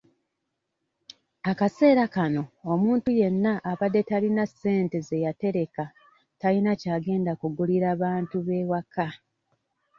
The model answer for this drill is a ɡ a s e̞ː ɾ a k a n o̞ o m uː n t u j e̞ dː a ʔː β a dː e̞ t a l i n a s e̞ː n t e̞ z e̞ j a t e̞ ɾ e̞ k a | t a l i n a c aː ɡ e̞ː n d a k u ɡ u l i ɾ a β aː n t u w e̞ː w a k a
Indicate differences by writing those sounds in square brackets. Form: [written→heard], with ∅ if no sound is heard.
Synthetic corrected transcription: a [ɡ→k] a s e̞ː ɾ a k a n o̞ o m uː n t u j e̞ [dː→nː] a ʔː β a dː e̞ t a l i n a s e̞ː n t e̞ z e̞ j a t e̞ ɾ e̞ k a | t a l i n a c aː ɡ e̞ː n d a k u ɡ u l i ɾ a β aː n t u [w→β] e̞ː w a k a

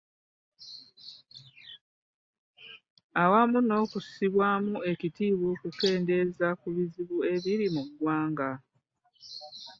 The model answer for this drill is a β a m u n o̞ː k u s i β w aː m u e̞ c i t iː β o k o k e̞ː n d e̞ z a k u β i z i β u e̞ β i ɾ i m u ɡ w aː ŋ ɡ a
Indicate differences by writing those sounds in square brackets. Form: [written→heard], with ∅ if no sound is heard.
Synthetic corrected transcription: a [β→w] a m u n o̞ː k u s i β w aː m u e̞ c i t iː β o k [o→u] k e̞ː n d e̞ z a k u β i z i β u e̞ β i ɾ i m u ɡ w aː ŋ ɡ a

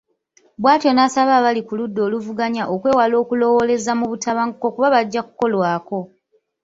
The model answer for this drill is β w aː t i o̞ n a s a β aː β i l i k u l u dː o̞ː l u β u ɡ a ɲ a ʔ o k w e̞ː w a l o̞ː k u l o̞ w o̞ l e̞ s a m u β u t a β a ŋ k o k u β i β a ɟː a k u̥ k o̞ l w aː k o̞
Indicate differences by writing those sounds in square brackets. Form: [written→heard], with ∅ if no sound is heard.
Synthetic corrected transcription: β w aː t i o̞ n a s a β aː β [i→a] l i k u l u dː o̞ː l u [β→v] u ɡ a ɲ a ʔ o k w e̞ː w a l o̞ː k u l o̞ w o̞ l e̞ [s→z] a m u β u t a β a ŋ k o k u β [i→a] β a ɟː a k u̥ k o̞ l w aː k o̞

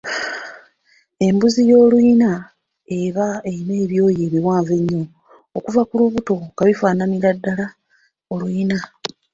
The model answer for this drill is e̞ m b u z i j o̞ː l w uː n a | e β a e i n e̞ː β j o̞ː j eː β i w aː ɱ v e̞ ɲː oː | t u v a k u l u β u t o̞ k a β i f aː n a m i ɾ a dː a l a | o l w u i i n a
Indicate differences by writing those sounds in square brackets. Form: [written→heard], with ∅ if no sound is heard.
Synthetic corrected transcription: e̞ m b u z i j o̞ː l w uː n a | e β a e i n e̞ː β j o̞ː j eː β i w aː ɱ v e̞ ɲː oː | [t→k] u v a k u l u β u t o̞ k a β i f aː n a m i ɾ a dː a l a | o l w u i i n a

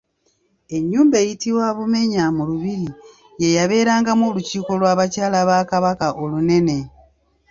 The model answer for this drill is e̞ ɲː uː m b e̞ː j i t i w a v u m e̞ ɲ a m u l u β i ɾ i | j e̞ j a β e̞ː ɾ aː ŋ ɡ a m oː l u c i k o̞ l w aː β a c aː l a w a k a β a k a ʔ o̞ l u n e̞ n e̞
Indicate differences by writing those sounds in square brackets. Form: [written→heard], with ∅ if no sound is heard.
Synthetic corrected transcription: e̞ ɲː uː m b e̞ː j i t i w a [v→β] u m e̞ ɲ a m u l u β i ɾ i | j e̞ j a β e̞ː ɾ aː ŋ ɡ a m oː l u c [i→iː] k o̞ l w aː β a c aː l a [w→β] a k a β a k a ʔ o̞ l u n e̞ n e̞

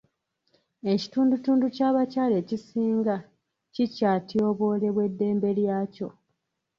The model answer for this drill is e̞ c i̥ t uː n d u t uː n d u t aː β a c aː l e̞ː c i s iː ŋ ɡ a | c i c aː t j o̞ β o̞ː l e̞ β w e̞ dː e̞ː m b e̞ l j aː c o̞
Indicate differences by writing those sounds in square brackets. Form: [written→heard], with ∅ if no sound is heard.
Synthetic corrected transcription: e̞ c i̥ t uː n d u t uː n d u [t→c] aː β a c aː l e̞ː c i s iː ŋ ɡ a | c i c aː t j o̞ β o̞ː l e̞ β w e̞ dː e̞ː m b e̞ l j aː c o̞

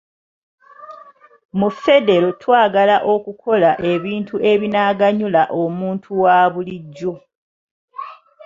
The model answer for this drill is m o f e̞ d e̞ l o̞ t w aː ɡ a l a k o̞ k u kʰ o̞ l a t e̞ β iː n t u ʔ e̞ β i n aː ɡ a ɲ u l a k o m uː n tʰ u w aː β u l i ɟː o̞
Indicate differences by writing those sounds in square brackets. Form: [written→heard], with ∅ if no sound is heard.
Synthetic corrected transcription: m [o→u] f e̞ d e̞ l o̞ t w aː ɡ a l a [k→ʔ] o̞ k u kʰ o̞ l a [t→ʔ] e̞ β iː n t u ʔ e̞ β i n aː ɡ a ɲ u l a [k→ʔ] o m uː n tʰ u w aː β u l i ɟː o̞

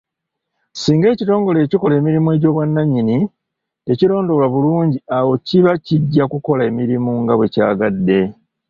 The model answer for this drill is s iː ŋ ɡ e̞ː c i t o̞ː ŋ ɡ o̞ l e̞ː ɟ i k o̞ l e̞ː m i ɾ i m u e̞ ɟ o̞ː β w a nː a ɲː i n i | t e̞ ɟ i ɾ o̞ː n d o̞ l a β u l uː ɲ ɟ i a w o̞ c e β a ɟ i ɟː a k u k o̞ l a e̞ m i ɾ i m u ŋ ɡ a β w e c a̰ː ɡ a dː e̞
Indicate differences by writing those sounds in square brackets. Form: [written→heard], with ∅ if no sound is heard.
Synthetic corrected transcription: s iː ŋ ɡ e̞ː c i t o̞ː ŋ ɡ o̞ l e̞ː [ɟ→c] i k o̞ l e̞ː m i ɾ i m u e̞ ɟ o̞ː β w a nː a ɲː i n i | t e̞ [ɟ→c] i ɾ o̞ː n d o̞ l a β u l uː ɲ ɟ i a w o̞ c [e→i] β a [ɟ→c] i ɟː a k u k o̞ l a e̞ m i ɾ i m u ŋ ɡ a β w e c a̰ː ɡ a dː e̞

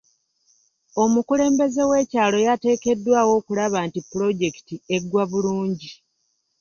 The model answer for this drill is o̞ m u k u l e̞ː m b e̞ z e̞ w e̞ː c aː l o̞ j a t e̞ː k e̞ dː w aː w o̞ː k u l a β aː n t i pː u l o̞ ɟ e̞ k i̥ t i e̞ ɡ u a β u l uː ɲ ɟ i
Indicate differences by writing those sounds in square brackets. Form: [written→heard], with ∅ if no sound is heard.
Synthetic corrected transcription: o̞ m u k u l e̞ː m b e̞ z e̞ w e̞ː c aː l o̞ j a t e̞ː k e̞ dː w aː w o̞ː k u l a β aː n t i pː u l o̞ ɟ e̞ k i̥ t i e̞ ɡ [u→w] a β u l uː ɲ ɟ i

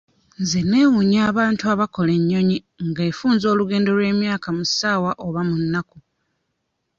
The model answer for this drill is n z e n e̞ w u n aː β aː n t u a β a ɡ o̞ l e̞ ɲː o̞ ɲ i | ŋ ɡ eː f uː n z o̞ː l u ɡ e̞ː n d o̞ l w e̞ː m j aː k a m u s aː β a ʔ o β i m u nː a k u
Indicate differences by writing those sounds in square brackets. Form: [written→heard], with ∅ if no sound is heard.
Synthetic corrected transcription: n z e n e̞ w u [n→ɲ] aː β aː n t u a β a [ɡ→k] o̞ l e̞ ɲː o̞ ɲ i | ŋ ɡ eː f uː n z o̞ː l u ɡ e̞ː n d o̞ l w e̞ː m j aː k a m u s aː [β→w] a ʔ o β [i→a] m u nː a k u

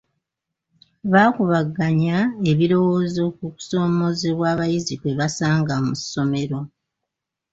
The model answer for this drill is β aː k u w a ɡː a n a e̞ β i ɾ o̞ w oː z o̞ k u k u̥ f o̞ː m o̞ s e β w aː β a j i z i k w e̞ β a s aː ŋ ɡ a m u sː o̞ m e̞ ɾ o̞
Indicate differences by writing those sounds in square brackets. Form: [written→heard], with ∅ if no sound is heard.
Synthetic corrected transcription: β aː k u [w→β] a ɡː a [n→ɲ] a e̞ β i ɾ o̞ w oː z o̞ k u k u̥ [f→s] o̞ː m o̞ [s→z] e β w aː β a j i z i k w e̞ β a s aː ŋ ɡ a m u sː o̞ m e̞ ɾ o̞

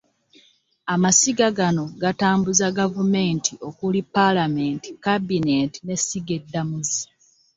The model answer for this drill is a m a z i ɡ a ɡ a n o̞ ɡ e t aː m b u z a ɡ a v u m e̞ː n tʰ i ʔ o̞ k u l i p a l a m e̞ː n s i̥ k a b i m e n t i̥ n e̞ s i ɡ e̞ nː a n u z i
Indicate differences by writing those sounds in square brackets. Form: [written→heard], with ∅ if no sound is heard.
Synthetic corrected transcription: a m a [z→s] i ɡ a ɡ a n o̞ ɡ [e→a] t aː m b u z a ɡ a v u m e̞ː n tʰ i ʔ o̞ k u l i p a l a m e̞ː n [s→t] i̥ k a b i [m→n] e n t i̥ n e̞ s i ɡ e̞ [nː→dː] a [n→m] u z i

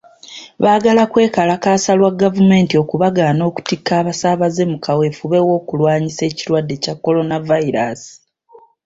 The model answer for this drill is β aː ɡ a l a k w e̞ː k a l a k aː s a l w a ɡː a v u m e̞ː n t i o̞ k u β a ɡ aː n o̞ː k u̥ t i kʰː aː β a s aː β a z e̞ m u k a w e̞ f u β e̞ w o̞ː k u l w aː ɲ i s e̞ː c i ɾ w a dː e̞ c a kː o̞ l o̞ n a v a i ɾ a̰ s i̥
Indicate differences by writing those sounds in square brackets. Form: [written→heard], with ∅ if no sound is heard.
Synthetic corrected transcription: β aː ɡ a l a k w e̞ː k a l a k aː s a l w a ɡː a v u m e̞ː n t i o̞ k u β a ɡ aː n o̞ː k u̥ t i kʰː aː β a s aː β a z e̞ m u k a w e̞ f u β e̞ w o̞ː k u l w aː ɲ i s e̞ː c i ɾ w a dː e̞ c a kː o̞ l o̞ n a v a i ɾ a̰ s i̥

